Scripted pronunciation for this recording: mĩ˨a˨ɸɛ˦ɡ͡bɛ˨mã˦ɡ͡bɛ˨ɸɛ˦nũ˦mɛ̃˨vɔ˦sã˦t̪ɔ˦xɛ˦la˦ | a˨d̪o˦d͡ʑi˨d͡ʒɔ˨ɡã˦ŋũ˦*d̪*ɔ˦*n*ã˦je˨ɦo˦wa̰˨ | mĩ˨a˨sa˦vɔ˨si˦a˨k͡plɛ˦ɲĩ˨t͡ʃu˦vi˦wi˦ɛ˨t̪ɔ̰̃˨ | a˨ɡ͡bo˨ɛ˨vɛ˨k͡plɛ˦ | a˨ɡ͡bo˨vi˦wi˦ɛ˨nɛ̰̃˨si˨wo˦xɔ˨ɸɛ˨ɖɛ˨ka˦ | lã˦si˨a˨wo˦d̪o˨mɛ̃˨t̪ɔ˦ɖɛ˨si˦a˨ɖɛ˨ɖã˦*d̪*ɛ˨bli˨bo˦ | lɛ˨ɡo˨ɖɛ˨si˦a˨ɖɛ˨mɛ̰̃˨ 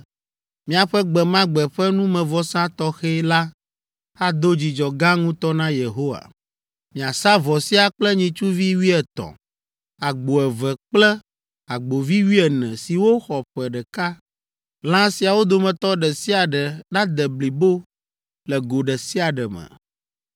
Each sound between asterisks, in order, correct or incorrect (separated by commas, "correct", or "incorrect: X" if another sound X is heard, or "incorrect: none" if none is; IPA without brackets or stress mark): incorrect: t̪, correct, correct